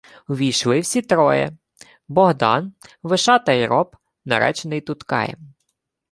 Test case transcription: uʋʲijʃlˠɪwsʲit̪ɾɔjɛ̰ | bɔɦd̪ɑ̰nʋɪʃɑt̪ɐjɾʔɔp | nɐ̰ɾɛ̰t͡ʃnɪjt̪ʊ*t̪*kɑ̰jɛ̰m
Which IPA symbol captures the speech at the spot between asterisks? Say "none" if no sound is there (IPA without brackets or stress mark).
t̪